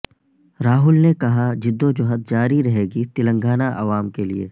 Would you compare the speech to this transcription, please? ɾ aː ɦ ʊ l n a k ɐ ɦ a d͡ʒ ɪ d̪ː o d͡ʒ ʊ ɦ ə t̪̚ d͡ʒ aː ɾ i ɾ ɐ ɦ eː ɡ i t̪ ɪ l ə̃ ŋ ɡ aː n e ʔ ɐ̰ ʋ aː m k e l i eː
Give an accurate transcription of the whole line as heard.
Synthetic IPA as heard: ɾ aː ɦ ʊ l n e k ɐ ɦ a d͡ʒ ɪ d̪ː o d͡ʒ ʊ ɦ ə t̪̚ d͡ʒ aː ɾ i ɾ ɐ ɦ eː ɡ i t̪ ɪ l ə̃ ŋ ɡ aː n a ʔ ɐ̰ ʋ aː m k e l i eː